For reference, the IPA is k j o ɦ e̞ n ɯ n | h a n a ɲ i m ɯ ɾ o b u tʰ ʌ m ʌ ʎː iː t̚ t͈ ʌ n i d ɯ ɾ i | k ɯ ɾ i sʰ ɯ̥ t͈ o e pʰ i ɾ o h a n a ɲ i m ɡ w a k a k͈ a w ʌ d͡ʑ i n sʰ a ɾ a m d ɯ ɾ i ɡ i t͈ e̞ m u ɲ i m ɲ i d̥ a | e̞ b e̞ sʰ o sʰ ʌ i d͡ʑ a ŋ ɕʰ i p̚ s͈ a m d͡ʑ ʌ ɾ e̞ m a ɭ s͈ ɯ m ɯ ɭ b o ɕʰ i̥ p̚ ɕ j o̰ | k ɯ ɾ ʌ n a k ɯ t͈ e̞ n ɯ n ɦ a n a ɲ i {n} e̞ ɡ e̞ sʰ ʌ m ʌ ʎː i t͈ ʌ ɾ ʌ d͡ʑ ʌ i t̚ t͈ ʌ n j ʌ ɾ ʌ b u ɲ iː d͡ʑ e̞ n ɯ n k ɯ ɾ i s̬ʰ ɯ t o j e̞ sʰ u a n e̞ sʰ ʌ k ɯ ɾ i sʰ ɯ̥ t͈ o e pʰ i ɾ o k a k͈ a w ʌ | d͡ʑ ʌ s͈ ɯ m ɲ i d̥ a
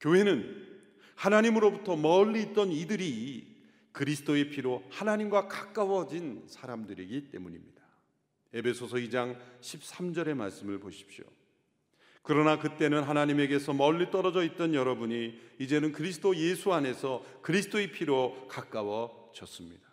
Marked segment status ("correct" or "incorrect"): incorrect